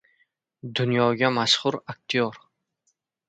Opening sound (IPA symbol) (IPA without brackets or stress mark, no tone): d̪